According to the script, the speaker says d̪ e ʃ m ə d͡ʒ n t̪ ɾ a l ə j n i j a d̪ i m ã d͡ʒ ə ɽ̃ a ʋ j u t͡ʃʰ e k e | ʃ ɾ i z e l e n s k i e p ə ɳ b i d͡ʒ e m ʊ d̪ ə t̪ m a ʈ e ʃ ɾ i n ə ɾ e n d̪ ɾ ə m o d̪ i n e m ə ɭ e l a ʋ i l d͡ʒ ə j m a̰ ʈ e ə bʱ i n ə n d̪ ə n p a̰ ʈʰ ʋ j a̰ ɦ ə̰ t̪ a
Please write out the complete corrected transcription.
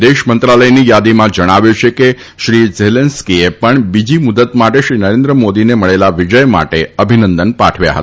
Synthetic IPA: d̪ e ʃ m ə n t̪ ɾ a l ə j n i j a d̪ i m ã d͡ʒ ə ɽ̃ a ʋ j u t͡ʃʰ e k e | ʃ ɾ i z e l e n s k i e p ə ɳ b i d͡ʒ i m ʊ d̪ ə t̪ m a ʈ e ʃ ɾ i n ə ɾ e n d̪ ɾ ə m o d̪ i n e m ə ɭ e l a ʋ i d͡ʒ ə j m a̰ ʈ e ə bʱ i n ə n d̪ ə n p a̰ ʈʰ ʋ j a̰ ɦ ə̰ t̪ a